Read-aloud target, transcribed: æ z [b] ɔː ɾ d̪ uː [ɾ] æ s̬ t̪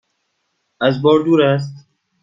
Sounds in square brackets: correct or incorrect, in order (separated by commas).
correct, correct